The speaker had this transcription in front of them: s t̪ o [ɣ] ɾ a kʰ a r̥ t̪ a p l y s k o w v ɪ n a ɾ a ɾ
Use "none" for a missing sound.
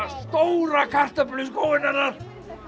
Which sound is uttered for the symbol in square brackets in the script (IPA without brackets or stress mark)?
w